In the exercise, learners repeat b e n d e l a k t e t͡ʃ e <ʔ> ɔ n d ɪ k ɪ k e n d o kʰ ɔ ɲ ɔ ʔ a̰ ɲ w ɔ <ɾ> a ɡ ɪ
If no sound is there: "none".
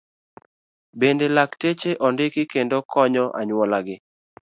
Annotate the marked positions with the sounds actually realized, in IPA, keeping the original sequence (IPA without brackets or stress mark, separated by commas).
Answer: ʔ, l